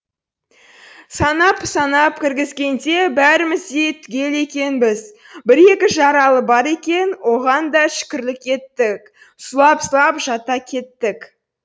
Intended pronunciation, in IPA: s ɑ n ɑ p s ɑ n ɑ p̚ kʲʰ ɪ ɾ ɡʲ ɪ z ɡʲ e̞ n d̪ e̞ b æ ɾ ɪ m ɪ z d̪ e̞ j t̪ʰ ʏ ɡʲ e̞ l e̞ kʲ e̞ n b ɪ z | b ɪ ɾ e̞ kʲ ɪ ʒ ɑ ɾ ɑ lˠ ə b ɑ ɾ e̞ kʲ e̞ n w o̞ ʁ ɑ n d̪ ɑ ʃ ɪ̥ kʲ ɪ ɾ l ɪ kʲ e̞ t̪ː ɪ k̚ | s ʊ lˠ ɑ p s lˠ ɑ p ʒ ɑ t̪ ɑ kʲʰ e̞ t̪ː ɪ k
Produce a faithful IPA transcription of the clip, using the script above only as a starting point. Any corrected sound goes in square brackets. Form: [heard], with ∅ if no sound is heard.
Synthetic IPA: s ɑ n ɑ p s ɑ n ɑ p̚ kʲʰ ɪ ɾ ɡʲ ɪ z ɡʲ e̞ n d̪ e̞ b æ ɾ ɪ m ɪ z d̪ e̞ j t̪ʰ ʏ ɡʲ e̞ l e̞ kʲ e̞ n b ɪ z | b ɪ ɾ e̞ kʲ ɪ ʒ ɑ ɾ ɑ lˠ ə b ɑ ɾ e̞ kʲ e̞ n w o̞ ʁ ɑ n d̪ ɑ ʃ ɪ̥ kʲ ɪ ɾ l ɪ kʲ e̞ t̪ː ɪ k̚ | s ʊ lˠ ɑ p s lˠ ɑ p ʒ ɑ t̪ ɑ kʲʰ e̞ t̪ː ɪ k